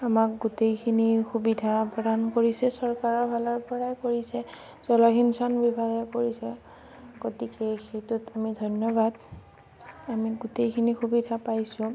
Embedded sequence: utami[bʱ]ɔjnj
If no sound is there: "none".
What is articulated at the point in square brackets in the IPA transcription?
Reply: dʱ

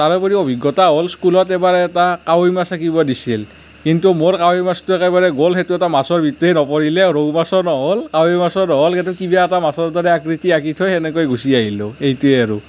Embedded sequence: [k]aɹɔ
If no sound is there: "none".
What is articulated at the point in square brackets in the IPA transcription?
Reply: t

